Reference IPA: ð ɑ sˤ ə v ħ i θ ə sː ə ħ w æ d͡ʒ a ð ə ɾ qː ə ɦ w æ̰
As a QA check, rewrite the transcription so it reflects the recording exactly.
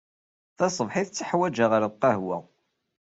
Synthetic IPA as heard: θ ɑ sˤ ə v ħ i θ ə t͡sː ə ħ w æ d͡ʒ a ʁ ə ɾ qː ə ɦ w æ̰